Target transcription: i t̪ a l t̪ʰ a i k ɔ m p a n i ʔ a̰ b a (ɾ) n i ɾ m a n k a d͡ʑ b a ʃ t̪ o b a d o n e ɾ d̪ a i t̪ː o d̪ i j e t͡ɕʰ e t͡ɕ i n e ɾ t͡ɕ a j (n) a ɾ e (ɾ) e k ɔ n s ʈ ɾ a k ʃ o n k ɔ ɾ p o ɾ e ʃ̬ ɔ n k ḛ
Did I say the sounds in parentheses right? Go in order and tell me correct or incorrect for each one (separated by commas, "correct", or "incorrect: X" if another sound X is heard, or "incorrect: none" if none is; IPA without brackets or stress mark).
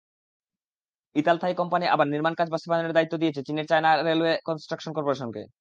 correct, correct, incorrect: l